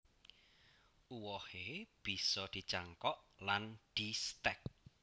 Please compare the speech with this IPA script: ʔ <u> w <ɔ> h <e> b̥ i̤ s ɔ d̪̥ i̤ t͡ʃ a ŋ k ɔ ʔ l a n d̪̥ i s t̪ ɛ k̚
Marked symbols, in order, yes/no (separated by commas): yes, yes, yes